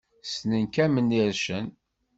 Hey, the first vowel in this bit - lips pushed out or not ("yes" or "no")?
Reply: no